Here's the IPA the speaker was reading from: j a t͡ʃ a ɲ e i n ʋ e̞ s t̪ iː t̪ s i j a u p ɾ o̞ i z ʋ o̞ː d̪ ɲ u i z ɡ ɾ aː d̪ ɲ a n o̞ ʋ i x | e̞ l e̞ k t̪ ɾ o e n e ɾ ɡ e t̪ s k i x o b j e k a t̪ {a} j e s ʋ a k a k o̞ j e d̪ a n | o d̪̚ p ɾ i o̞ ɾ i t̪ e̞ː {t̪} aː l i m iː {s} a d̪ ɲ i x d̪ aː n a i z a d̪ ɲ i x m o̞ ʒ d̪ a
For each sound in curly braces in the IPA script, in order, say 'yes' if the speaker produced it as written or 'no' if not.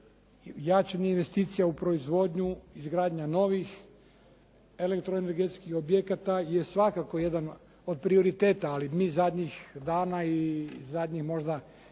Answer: yes, yes, no

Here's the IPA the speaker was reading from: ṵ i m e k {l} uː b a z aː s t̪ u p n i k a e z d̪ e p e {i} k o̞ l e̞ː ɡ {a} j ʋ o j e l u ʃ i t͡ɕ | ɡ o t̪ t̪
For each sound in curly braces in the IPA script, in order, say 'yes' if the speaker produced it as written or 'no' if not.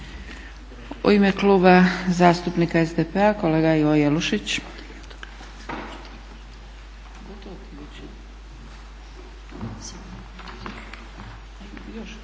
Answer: yes, no, yes

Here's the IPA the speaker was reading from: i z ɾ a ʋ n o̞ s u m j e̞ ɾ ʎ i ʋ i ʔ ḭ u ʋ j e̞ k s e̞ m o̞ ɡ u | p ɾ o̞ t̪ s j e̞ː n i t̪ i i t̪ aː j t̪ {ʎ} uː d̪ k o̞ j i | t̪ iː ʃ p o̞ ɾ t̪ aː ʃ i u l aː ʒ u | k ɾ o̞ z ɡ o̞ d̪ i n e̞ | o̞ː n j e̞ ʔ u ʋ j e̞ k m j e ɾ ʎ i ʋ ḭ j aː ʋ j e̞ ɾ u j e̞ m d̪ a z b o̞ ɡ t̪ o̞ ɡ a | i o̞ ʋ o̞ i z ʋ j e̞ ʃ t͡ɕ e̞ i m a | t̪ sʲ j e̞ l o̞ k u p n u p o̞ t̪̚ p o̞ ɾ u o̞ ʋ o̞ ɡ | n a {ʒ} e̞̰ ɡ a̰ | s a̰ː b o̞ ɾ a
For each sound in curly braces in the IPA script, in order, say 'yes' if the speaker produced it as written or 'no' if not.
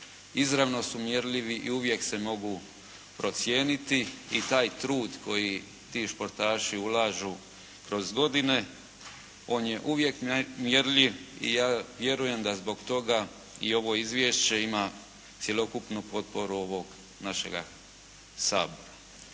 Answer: no, no

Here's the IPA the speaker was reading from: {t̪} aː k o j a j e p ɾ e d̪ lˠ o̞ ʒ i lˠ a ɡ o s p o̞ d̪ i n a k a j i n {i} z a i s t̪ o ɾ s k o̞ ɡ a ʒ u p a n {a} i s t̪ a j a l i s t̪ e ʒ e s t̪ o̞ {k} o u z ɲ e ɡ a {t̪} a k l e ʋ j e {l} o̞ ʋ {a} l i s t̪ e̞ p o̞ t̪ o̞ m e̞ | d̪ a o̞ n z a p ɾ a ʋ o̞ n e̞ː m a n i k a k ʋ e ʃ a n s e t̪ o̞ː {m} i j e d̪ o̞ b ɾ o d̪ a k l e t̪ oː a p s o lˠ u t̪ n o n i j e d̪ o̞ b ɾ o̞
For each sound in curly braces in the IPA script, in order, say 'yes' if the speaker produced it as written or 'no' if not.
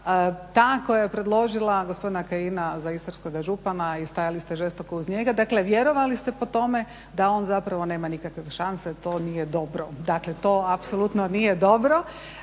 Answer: yes, no, yes, yes, no, no, yes, no

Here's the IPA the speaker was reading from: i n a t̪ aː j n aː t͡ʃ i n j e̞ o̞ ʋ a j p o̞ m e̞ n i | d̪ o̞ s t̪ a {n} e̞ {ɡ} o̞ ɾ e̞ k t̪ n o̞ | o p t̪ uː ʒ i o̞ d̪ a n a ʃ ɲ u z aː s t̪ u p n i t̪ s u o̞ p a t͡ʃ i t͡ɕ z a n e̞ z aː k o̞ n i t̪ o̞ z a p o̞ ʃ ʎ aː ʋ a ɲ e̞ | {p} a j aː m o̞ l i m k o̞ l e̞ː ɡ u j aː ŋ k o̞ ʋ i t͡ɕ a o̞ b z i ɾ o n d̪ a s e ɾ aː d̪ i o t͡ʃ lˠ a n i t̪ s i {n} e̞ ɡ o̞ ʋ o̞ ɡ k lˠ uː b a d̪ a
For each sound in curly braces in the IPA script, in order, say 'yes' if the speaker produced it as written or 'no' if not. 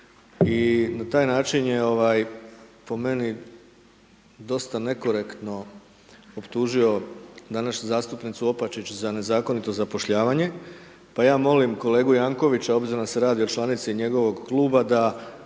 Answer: yes, no, yes, no

